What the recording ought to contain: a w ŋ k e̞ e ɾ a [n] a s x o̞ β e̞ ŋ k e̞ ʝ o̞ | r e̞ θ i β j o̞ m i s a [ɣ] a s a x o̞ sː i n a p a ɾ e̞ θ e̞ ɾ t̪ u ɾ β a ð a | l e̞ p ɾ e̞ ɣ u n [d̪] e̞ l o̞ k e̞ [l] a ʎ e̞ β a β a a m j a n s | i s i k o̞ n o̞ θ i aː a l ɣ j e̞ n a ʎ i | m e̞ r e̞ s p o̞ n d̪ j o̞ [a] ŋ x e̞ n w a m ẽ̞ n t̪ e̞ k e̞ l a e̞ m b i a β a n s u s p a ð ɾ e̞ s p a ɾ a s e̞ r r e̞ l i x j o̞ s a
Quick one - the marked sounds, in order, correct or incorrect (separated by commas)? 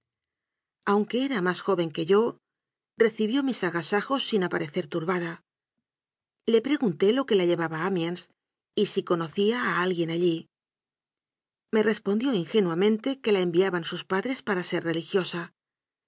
incorrect, correct, incorrect, correct, incorrect